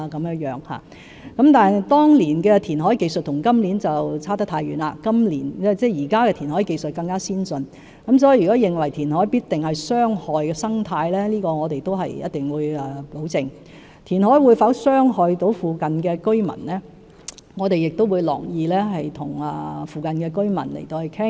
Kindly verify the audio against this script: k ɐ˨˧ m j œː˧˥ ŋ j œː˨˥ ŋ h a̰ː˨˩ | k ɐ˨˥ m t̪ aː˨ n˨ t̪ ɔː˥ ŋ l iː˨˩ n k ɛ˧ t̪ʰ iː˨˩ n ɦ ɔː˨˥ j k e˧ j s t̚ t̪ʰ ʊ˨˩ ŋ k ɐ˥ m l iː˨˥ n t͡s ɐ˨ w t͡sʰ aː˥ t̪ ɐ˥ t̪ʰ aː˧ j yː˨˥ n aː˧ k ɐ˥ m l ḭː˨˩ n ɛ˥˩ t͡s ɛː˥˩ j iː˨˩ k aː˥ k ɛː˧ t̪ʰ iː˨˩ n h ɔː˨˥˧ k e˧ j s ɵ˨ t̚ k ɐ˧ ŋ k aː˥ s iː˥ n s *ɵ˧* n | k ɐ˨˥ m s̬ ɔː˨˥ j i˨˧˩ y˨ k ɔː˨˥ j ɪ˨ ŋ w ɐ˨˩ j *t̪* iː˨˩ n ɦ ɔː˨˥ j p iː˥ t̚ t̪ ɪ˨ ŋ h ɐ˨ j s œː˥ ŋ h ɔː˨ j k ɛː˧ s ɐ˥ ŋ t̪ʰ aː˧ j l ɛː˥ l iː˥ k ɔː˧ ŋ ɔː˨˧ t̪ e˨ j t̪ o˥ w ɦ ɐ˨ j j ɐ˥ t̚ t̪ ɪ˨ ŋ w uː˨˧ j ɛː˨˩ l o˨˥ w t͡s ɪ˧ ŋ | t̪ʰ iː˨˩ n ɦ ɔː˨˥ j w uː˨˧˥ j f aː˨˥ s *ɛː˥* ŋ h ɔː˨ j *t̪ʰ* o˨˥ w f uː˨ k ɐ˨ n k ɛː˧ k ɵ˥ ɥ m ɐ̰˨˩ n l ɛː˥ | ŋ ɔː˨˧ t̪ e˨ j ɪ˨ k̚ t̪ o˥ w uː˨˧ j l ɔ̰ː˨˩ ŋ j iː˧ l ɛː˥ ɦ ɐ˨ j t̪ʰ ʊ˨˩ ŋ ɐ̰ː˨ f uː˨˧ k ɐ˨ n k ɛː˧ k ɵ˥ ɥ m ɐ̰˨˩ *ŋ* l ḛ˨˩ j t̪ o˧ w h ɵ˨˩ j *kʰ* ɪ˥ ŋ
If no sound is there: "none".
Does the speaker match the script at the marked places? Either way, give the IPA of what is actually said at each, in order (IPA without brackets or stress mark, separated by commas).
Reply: ɵ˧, t̪ʰ, œː˥, t̪, n, kʰ